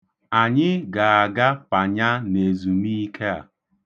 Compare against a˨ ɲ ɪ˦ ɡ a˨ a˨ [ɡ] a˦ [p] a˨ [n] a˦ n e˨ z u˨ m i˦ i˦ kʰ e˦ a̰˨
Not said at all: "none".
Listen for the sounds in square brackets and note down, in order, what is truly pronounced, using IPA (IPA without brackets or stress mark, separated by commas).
ɡ, p, ɲ